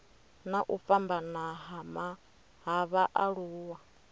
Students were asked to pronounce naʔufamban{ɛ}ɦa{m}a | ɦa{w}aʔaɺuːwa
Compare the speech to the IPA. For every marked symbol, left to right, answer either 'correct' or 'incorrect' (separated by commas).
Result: incorrect, correct, incorrect